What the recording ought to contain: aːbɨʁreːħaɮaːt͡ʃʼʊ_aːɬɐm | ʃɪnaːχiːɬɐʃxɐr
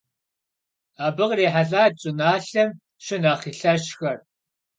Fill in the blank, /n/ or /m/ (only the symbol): n